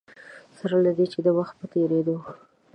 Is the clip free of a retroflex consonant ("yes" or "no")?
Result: yes